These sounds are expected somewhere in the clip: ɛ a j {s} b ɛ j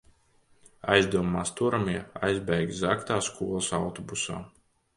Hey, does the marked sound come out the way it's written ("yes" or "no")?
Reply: no